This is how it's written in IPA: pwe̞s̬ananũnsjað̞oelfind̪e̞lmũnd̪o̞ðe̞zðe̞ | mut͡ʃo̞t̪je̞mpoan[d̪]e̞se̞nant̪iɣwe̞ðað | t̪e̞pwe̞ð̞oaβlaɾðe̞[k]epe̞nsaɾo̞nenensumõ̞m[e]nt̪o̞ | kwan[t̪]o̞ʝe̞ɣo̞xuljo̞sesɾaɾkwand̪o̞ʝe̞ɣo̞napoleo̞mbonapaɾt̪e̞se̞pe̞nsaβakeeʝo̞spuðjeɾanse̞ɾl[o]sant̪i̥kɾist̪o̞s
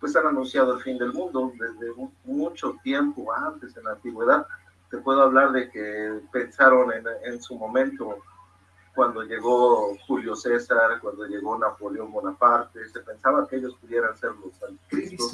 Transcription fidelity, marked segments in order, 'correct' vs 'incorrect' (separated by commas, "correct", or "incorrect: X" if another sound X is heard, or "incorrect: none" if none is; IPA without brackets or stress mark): incorrect: t̪, correct, incorrect: ẽ, incorrect: d̪, correct